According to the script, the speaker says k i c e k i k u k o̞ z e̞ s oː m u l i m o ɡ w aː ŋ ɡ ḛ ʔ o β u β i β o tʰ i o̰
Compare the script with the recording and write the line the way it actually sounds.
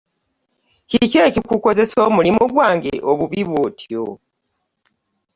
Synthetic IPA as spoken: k i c e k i k u k o̞ z e̞ s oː m u l i m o ɡ w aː ŋ ɡ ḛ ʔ o β u β i β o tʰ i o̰